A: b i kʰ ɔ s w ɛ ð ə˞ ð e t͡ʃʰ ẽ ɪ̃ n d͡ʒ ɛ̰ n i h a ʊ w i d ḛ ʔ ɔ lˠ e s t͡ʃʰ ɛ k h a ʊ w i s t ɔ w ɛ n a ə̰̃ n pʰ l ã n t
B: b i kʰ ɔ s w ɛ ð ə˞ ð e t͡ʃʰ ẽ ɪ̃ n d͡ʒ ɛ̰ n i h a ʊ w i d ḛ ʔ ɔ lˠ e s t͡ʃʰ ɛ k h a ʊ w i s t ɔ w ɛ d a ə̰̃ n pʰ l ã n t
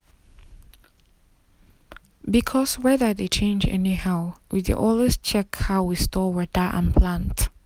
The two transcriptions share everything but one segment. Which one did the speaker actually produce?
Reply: B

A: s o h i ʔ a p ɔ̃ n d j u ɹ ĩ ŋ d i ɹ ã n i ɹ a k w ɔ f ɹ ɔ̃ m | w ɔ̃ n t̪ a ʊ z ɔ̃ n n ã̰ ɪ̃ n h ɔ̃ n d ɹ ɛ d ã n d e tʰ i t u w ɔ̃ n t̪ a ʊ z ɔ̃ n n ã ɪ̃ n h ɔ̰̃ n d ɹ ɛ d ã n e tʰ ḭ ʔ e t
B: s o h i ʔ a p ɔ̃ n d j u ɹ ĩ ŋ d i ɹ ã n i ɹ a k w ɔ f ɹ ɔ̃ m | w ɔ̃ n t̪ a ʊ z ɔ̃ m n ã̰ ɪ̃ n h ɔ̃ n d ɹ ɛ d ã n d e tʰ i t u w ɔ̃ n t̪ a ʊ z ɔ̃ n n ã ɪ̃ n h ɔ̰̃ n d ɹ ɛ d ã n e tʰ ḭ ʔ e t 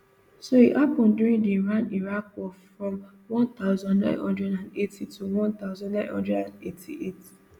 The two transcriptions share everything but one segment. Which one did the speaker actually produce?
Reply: A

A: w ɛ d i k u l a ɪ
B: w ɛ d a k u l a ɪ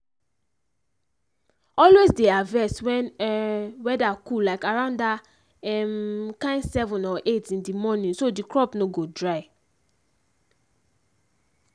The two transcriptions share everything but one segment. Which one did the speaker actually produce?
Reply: B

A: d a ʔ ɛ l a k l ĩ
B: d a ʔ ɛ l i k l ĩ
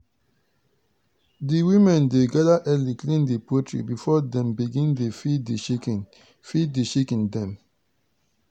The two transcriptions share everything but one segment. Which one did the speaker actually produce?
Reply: B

